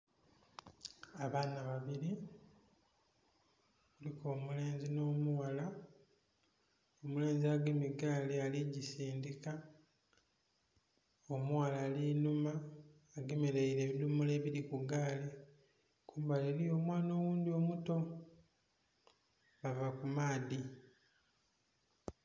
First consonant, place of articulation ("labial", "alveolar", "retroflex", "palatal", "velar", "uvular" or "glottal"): labial